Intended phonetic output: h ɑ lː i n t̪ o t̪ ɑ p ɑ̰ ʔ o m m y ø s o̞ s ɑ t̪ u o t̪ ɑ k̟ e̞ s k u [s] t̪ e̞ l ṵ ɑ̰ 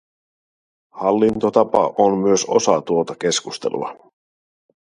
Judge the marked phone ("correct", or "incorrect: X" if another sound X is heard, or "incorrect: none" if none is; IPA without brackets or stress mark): correct